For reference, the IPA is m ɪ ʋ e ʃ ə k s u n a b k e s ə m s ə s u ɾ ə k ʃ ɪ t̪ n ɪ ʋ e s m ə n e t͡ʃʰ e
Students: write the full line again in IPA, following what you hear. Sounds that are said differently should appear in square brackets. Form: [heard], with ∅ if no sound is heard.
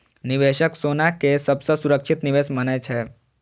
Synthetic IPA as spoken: [n] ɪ ʋ e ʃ ə k s [o] n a [∅] k e s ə [b] s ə s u ɾ ə k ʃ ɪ t̪ n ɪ ʋ e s m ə n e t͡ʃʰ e